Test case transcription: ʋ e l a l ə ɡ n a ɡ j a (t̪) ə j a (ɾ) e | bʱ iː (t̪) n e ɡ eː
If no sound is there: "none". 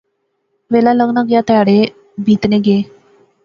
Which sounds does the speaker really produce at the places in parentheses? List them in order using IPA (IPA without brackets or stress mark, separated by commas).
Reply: t̪, ɽ, t̪